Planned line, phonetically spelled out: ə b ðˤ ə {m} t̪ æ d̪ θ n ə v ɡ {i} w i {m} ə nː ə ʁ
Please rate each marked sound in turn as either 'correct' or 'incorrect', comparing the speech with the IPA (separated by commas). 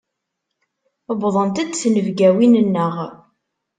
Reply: incorrect, incorrect, incorrect